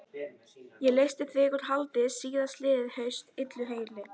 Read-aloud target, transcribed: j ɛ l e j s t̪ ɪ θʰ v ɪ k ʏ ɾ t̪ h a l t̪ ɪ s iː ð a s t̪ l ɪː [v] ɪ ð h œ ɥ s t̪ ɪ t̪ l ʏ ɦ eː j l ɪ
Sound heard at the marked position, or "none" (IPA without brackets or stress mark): ð